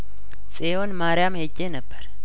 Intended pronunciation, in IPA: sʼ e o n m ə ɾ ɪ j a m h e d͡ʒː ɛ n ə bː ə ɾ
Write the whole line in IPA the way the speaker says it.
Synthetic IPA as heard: sʼ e o n m a ɾ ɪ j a m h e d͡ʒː e n ə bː ə ɾ